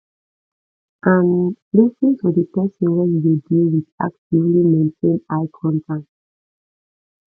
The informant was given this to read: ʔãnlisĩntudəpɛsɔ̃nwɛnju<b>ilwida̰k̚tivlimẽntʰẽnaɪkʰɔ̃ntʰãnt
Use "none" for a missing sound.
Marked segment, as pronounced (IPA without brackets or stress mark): d